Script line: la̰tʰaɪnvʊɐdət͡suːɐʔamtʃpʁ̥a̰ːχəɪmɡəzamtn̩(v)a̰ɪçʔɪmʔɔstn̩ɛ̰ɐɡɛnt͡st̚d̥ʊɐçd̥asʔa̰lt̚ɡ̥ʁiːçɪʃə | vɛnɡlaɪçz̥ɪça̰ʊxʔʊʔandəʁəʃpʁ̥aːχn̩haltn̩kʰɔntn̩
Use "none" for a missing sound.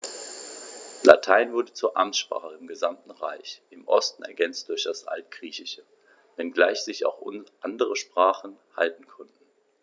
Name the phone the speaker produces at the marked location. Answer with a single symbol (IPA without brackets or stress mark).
ʁ